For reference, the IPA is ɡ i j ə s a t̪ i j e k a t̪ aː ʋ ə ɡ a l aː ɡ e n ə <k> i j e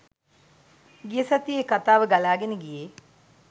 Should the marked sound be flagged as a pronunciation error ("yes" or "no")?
yes